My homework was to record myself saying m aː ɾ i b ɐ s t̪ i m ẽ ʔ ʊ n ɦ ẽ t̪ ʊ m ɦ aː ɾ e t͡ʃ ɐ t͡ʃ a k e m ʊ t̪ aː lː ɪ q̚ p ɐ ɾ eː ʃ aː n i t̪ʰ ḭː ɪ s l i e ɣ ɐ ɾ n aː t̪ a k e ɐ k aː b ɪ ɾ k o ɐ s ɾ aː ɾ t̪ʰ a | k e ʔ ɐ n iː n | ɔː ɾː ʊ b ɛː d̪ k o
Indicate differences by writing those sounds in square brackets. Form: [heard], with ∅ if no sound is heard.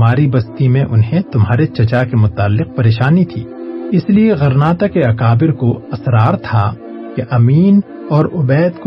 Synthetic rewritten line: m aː ɾ i b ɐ s t̪ i m ẽ ʔ ʊ n ɦ ẽ t̪ ʊ m ɦ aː ɾ e t͡ʃ ɐ t͡ʃ a k e m ʊ t̪ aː lː ɪ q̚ p ɐ ɾ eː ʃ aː n i t̪ʰ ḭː ɪ s l i e ɣ ɐ ɾ n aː t̪ a k e ɐ k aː b ɪ ɾ k o ɐ s ɾ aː ɾ t̪ʰ a | k e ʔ ɐ [m] iː n | ɔː [ɾ] ʊ b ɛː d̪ k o